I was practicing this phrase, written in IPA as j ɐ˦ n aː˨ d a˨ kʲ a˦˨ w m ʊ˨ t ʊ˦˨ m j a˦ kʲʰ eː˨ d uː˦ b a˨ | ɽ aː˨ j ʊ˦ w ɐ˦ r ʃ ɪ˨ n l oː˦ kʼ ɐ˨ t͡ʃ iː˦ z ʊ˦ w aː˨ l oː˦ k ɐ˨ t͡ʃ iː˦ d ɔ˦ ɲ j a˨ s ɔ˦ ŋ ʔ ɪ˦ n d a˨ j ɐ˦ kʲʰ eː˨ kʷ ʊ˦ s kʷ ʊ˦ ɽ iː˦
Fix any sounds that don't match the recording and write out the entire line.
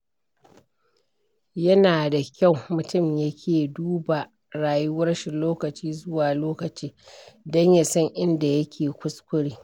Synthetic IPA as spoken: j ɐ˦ n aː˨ d a˨ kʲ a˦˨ w m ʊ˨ t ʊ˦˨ m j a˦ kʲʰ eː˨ d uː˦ b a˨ | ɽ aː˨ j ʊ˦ w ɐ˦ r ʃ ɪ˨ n l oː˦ k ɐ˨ t͡ʃ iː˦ z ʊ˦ w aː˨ l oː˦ k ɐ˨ t͡ʃ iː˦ d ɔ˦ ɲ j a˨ s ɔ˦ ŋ ʔ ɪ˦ n d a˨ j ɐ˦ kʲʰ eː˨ kʷ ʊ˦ s kʷ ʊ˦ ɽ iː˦